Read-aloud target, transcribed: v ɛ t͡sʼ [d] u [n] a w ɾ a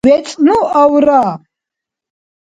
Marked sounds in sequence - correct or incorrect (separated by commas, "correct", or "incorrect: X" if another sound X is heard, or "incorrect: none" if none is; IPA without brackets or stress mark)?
incorrect: n, incorrect: none